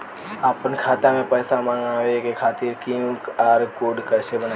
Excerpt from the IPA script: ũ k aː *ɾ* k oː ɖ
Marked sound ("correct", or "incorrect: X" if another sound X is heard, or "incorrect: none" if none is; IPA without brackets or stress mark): correct